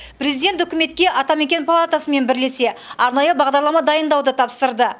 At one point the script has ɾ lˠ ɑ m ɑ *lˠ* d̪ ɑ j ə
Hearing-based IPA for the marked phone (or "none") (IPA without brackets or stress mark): none